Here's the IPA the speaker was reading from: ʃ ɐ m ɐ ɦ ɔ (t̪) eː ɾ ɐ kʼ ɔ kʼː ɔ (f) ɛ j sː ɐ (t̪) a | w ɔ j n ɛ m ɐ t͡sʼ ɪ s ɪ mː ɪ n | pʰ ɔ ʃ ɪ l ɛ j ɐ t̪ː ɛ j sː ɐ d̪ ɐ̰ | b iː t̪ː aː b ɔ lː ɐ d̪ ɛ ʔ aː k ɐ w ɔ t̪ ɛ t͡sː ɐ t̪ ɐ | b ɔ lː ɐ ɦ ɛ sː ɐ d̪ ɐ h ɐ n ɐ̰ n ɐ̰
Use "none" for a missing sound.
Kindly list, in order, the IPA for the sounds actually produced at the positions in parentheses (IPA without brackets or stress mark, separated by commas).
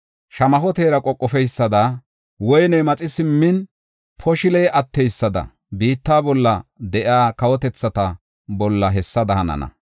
t̪, f, d̪